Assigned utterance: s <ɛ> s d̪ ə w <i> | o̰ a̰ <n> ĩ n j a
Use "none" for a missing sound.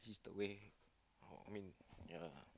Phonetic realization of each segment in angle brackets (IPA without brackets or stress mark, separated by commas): i, e, m